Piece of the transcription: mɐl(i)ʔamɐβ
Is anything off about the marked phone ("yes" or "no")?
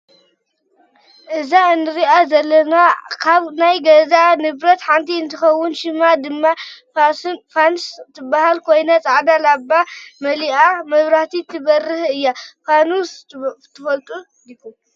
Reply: no